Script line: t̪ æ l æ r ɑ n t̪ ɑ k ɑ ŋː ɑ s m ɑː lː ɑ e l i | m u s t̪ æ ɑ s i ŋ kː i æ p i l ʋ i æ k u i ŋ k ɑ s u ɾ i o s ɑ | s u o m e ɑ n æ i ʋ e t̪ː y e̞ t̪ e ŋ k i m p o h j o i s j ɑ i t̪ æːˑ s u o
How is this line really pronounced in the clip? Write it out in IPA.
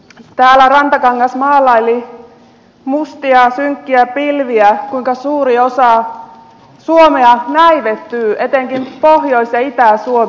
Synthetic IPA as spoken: t̪ æː l æ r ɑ n t̪ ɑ k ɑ ŋː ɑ s m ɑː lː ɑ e l i | m u s t̪ i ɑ s y ŋ kː i æ p i l ʋ i æ k u i ŋ k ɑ s uː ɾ i o s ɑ | s u o m e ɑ n æ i ʋ e t̪ː yː e̞ t̪ e ŋ k i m p o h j o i s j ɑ i t̪ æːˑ s u o